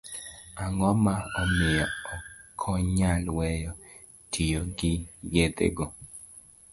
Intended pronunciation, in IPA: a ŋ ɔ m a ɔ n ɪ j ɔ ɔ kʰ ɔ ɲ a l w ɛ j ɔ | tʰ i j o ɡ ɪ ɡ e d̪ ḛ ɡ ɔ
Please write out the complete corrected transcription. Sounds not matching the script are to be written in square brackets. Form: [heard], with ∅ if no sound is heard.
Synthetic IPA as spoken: a ŋ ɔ m a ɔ [m] ɪ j ɔ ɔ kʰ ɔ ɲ a l w ɛ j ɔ | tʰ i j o ɡ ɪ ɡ e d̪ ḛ ɡ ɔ